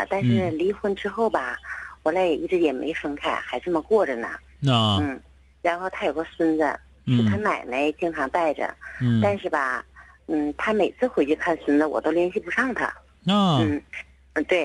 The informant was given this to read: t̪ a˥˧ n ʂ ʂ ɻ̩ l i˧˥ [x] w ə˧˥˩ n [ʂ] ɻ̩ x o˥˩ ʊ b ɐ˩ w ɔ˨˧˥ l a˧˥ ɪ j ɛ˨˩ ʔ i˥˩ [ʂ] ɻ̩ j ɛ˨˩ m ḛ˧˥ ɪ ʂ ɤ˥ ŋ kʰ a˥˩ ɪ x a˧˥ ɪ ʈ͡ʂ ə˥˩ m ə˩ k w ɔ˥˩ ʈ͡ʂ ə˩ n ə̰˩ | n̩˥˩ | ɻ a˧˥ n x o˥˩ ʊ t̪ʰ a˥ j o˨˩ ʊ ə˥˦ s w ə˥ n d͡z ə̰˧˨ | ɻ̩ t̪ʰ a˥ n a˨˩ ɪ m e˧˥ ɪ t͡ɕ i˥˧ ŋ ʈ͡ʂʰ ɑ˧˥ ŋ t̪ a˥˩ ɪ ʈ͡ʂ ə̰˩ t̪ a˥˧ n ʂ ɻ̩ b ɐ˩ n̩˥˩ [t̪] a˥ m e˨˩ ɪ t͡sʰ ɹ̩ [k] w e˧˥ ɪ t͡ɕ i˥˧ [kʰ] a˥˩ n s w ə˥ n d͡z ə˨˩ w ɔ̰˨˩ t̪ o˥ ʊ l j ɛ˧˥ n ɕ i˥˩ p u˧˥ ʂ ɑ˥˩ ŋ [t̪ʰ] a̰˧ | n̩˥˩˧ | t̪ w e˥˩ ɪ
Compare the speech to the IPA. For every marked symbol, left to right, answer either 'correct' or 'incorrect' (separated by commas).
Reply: correct, incorrect, incorrect, incorrect, incorrect, correct, correct